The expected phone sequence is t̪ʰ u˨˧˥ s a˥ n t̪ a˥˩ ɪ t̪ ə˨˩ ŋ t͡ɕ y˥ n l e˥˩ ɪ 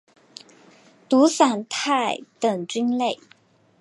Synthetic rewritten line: t̪ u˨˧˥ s a˨˩ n t̪ʰ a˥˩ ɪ t̪ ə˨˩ ŋ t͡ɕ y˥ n l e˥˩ ɪ